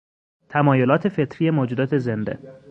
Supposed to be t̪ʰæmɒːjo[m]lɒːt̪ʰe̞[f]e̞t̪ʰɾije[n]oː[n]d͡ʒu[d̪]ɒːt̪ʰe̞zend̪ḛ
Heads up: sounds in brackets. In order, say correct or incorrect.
incorrect: none, correct, incorrect: m, incorrect: none, correct

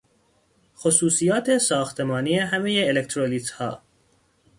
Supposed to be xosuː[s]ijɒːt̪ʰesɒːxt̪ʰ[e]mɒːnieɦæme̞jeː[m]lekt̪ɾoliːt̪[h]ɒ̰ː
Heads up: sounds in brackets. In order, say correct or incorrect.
correct, correct, incorrect: none, correct

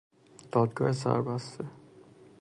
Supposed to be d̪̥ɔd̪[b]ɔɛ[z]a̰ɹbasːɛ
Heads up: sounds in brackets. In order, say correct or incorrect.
incorrect: ɡ, incorrect: s

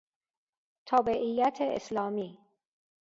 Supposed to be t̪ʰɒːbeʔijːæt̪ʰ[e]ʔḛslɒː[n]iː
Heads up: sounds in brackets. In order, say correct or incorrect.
correct, incorrect: m

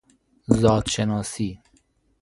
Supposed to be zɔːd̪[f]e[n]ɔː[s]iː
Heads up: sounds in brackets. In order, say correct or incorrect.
incorrect: ʃ, correct, correct

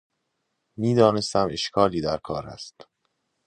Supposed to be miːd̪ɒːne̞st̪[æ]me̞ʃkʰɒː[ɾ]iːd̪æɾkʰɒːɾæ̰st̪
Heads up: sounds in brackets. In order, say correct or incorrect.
correct, incorrect: l

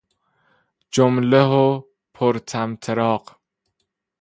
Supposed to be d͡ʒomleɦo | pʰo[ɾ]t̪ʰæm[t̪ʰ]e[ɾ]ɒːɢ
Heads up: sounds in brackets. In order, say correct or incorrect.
correct, correct, correct

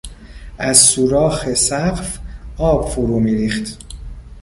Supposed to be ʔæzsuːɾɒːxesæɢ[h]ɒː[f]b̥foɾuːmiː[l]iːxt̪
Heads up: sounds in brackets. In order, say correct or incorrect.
incorrect: f, incorrect: none, incorrect: ɾ

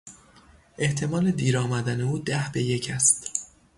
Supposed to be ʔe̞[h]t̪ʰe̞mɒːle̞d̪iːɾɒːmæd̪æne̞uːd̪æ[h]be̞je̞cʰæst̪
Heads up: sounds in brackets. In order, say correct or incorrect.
correct, correct

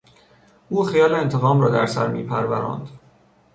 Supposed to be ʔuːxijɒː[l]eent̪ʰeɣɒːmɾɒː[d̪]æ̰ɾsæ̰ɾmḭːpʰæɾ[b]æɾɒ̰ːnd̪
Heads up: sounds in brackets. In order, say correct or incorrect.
correct, correct, incorrect: v

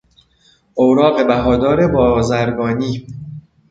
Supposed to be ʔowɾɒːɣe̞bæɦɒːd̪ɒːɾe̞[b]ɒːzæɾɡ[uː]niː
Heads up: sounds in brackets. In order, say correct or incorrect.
correct, incorrect: ɒː

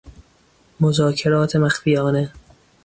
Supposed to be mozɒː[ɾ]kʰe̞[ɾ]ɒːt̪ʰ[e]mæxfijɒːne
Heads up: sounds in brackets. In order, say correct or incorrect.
incorrect: none, correct, correct

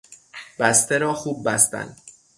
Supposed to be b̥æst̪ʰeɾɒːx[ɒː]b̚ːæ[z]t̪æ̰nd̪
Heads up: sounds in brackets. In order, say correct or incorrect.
incorrect: uː, incorrect: s

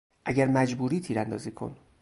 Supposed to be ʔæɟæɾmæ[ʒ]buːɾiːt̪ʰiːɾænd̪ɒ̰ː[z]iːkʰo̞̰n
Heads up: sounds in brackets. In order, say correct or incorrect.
incorrect: d͡ʒ, correct

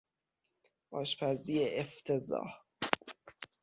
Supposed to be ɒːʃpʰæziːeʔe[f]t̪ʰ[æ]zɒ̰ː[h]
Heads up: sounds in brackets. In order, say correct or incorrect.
correct, incorrect: e, correct

